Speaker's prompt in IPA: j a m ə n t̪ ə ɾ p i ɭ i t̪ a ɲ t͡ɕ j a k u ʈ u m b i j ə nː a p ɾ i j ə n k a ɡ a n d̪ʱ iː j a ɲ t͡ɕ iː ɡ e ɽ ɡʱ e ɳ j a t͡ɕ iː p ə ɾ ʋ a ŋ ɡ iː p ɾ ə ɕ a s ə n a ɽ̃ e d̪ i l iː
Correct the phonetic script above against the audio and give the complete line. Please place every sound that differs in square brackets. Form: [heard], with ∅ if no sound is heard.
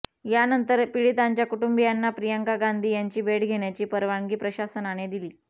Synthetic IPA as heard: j a [n] ə n t̪ ə ɾ p i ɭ i t̪ a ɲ t͡ɕ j a k u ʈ u m b i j [a] nː a p ɾ i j ə [ŋ] k a ɡ a n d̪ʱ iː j a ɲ t͡ɕ iː [b] e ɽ ɡʱ e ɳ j a t͡ɕ iː p ə ɾ ʋ a ŋ ɡ iː p ɾ ə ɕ a s ə n a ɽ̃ e d̪ i l iː